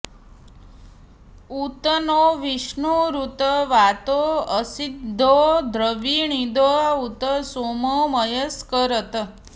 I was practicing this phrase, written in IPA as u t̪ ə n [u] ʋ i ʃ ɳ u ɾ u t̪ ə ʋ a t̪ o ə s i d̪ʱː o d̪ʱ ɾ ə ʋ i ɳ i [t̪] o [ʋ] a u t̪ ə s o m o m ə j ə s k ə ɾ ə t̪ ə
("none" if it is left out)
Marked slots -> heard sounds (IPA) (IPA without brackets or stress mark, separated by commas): o, d̪, none